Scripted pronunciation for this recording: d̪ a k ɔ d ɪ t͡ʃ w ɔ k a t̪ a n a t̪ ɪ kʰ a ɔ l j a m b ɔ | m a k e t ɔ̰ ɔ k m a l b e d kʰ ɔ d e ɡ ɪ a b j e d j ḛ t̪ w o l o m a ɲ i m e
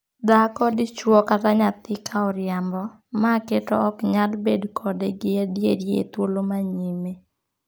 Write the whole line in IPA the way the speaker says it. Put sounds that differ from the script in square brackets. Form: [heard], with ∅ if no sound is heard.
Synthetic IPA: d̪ a k ɔ d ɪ t͡ʃ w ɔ k a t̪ a [ɲ] a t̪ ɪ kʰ a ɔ [ɾ] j a m b ɔ | m a k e t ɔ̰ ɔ k [ɲ] a l b e d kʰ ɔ d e ɡ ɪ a [d] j e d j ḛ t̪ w o l o m a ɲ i m e